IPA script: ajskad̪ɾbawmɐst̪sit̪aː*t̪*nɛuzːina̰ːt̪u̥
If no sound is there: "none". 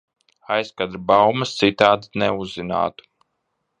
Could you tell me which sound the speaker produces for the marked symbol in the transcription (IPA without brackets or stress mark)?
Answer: d̪